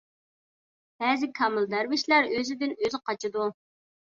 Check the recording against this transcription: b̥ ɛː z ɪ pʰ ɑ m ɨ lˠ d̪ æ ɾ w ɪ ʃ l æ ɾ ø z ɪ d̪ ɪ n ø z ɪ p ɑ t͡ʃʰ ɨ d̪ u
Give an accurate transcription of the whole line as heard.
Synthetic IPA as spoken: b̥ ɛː z ɪ kʰ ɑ m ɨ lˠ d̪ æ ɾ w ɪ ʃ l æ ɾ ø z ɪ d̪ ɪ n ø z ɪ q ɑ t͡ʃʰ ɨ d̪ u